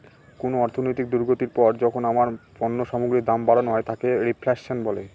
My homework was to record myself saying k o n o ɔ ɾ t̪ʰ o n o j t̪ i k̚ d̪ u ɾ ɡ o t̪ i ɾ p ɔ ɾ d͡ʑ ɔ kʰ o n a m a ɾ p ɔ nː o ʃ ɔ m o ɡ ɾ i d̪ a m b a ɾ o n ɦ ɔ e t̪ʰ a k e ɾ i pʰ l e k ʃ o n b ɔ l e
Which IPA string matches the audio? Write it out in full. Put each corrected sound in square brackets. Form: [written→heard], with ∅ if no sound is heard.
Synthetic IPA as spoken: k o n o ɔ ɾ t̪ʰ o n o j t̪ i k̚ d̪ u ɾ ɡ o t̪ i ɾ p ɔ ɾ d͡ʑ ɔ kʰ o n a m a ɾ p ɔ nː o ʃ ɔ m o ɡ ɾ i d̪ a m b a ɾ o n ɦ ɔ e t̪ʰ a k e ɾ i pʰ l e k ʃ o n b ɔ l e